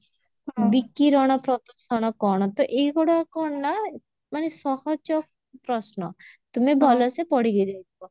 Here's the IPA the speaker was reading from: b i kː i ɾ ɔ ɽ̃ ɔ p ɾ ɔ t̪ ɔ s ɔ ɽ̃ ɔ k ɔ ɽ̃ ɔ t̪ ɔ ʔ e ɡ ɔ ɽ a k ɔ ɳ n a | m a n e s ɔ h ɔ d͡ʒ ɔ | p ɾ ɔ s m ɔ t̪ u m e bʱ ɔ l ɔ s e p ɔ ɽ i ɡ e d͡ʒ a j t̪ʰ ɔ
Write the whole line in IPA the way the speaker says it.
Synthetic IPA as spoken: b i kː i ɾ ɔ ɽ̃ ɔ p ɾ ɔ t̪ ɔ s ɔ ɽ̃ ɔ k ɔ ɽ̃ ɔ t̪ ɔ ʔ e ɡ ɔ ɽ a k ɔ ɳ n a | m a n e s ɔ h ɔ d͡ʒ ɔ | p ɾ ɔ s n ɔ t̪ u m e bʱ ɔ l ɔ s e p ɔ ɽ i ɡ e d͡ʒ a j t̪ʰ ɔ